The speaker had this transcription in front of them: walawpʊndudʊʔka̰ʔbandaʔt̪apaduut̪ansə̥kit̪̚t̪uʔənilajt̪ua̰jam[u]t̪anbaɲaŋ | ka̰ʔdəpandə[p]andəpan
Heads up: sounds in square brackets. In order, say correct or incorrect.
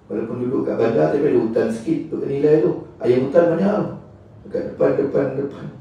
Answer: correct, correct

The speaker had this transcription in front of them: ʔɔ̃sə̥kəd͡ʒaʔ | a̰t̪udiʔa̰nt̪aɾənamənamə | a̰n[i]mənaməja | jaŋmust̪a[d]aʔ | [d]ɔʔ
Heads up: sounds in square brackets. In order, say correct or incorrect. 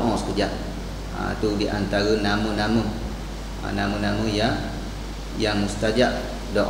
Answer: incorrect, incorrect, correct

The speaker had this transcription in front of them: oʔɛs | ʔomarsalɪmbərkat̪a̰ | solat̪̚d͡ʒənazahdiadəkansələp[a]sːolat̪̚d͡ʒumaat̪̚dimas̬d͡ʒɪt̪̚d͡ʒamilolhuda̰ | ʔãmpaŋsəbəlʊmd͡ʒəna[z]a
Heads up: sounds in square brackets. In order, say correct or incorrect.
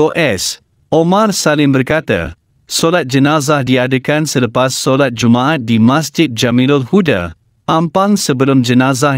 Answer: correct, correct

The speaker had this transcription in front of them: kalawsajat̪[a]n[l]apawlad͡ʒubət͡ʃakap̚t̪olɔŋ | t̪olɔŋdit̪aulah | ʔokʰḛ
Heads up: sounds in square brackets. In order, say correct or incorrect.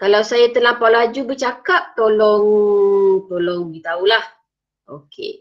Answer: incorrect, correct

